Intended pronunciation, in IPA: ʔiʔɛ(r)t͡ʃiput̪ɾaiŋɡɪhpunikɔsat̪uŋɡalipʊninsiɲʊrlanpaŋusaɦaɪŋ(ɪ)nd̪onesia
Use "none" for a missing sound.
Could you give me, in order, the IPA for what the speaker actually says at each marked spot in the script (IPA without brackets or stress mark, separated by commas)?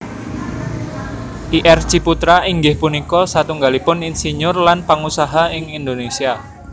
r, i